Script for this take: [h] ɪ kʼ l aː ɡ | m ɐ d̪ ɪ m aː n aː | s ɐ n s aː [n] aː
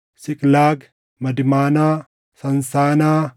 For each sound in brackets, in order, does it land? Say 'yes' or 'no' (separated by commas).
no, yes